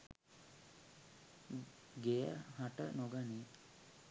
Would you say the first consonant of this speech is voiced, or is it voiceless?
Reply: voiced